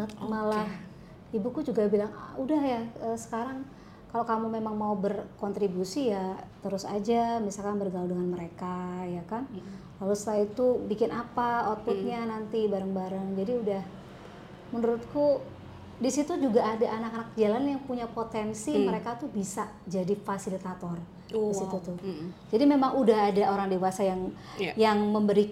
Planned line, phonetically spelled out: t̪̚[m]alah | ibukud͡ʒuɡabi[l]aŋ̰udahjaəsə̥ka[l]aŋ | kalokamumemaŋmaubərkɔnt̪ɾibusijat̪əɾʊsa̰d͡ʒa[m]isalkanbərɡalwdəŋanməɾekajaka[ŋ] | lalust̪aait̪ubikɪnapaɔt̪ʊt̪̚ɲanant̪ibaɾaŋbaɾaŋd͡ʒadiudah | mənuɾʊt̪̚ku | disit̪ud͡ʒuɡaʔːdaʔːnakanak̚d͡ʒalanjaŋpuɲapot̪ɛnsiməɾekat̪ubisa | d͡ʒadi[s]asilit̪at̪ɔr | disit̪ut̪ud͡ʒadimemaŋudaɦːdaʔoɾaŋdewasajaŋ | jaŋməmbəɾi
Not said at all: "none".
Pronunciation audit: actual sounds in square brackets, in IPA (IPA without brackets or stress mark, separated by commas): m, l, ɾ, m, n, f